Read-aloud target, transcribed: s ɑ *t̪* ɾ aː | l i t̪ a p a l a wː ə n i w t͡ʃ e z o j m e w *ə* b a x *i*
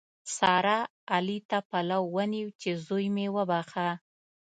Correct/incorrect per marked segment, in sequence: incorrect, correct, incorrect

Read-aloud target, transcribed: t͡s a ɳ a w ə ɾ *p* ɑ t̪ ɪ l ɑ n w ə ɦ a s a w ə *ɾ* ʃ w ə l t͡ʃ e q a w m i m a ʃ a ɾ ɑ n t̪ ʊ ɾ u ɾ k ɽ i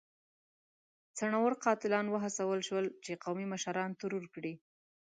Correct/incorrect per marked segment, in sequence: incorrect, incorrect

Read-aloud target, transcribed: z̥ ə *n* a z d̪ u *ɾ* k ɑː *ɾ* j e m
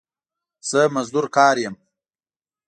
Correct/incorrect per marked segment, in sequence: incorrect, correct, correct

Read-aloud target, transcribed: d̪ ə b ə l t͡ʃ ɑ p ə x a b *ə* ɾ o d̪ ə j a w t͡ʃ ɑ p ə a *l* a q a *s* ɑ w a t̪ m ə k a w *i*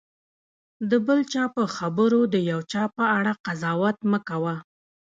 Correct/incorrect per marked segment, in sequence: correct, incorrect, incorrect, incorrect

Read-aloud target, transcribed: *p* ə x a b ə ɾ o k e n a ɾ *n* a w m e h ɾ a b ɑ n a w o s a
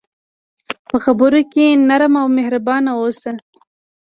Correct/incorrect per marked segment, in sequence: correct, incorrect

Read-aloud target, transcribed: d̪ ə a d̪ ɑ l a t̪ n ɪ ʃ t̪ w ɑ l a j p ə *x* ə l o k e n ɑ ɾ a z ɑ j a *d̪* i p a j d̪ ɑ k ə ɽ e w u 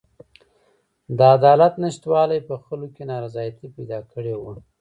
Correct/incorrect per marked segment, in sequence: correct, incorrect

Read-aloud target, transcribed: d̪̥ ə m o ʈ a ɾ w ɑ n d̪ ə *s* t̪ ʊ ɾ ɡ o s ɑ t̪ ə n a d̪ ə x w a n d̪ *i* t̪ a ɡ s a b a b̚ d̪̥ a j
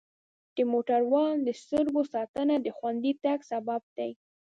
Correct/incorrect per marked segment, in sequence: correct, correct

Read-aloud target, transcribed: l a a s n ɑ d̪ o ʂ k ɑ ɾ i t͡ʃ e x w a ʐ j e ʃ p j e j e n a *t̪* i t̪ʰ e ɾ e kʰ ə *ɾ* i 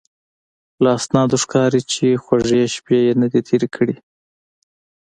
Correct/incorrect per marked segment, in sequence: incorrect, incorrect

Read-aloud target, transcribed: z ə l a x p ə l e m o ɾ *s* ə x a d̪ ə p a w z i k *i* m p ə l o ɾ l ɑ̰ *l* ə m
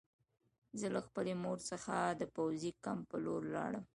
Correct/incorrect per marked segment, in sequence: correct, incorrect, incorrect

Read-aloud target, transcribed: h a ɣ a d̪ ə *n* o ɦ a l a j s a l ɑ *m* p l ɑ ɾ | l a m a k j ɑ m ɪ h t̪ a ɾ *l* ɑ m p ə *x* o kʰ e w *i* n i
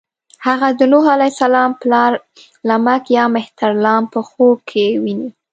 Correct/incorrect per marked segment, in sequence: correct, correct, correct, correct, correct

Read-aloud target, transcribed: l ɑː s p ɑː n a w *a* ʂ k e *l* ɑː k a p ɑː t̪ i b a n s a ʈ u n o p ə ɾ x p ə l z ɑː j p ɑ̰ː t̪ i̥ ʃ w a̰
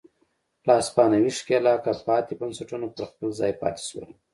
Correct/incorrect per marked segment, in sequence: incorrect, correct

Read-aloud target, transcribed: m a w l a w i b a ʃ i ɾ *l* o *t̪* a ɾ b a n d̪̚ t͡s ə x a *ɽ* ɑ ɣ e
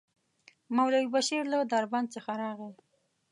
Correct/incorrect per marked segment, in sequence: correct, incorrect, incorrect

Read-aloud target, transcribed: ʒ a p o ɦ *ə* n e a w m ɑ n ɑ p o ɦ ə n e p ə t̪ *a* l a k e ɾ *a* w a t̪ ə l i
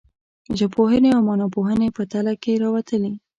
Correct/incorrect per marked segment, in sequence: correct, correct, incorrect

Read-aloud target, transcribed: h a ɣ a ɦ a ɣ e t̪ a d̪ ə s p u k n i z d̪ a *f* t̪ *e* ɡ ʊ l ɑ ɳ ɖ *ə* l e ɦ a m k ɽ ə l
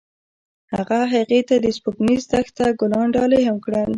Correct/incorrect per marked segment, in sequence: incorrect, incorrect, incorrect

